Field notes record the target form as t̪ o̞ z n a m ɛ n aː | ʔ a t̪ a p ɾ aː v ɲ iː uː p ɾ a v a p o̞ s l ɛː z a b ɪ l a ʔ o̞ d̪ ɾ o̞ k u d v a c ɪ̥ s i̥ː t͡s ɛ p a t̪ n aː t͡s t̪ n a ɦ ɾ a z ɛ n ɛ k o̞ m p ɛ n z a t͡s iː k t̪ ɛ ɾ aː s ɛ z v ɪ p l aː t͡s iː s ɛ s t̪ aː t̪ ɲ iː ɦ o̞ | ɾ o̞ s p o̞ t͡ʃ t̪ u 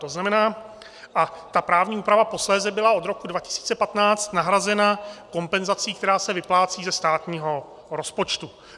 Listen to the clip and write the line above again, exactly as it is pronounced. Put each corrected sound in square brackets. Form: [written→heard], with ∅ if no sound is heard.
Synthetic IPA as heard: t̪ o̞ z n a m ɛ n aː | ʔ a t̪ a p ɾ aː v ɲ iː uː p ɾ a v a p o̞ s l ɛː z [a→ɛ] b ɪ l a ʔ o̞ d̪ ɾ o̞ k u d v a c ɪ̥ s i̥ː t͡s ɛ p a t̪ n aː t͡s t̪ n a ɦ ɾ a z ɛ n [ɛ→a] k o̞ m p ɛ n z a t͡s iː k t̪ ɛ ɾ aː s ɛ [z→∅] v ɪ p l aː t͡s iː [s→z] ɛ s t̪ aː t̪ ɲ iː ɦ o̞ | ɾ o̞ s p o̞ t͡ʃ t̪ u